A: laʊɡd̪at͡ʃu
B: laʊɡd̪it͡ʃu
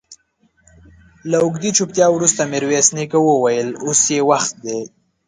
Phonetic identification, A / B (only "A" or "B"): B